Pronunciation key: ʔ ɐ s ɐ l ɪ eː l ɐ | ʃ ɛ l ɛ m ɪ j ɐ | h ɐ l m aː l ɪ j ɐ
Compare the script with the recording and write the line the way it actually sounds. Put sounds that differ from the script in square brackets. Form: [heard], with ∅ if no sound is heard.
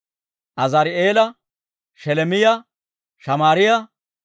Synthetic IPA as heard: ʔ ɐ [z] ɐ [ɾ] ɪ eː l ɐ | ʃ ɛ l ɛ m ɪ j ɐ | [ʃ] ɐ [∅] m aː [ɾ] ɪ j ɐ